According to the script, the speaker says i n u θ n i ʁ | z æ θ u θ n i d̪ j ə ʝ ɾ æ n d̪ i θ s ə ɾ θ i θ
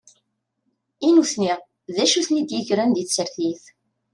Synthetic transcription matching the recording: i n u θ n i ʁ | ð æ ʃ u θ n i d̪ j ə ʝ ɾ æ n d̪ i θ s ə ɾ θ i θ